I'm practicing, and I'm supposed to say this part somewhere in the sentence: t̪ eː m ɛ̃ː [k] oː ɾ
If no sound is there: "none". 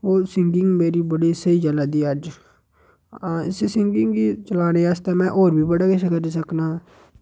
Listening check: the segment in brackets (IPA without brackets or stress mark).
ʔ